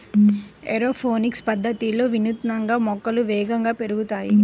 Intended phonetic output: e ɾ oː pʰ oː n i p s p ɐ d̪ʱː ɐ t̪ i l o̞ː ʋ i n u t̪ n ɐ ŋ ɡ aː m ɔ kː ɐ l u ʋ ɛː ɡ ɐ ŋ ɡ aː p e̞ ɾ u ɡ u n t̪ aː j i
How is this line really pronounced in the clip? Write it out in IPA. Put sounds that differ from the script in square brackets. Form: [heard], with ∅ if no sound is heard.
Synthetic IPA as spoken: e ɾ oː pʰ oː n i [k] s p ɐ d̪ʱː ɐ t̪ i l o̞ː ʋ i n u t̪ n ɐ ŋ ɡ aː m ɔ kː ɐ l u ʋ ɛː ɡ ɐ ŋ ɡ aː p e̞ ɾ u ɡ u [∅] t̪ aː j i